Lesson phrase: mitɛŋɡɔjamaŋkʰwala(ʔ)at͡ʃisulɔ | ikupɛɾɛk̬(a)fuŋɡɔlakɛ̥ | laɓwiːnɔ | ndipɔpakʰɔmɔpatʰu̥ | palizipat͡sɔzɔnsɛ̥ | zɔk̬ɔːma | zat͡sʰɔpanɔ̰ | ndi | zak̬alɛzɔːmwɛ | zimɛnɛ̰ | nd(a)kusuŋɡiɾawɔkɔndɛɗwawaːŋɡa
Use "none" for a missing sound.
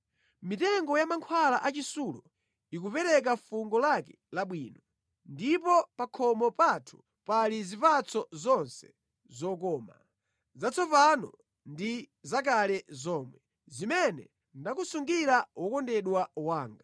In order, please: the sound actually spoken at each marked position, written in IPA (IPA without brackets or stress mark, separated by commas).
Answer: ʔ, a, a